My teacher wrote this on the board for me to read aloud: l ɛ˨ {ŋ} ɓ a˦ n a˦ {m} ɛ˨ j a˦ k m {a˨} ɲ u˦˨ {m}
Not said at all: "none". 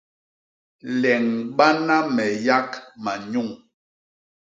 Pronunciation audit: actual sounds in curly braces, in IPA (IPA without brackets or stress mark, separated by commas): ŋ, m, a˨, ŋ